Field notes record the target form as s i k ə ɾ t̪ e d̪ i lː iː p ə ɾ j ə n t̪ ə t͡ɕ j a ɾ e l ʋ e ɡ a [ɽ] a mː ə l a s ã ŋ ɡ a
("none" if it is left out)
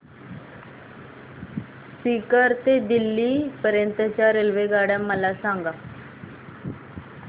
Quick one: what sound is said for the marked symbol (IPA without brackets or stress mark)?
ɽ